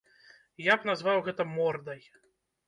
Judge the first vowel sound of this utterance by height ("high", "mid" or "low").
low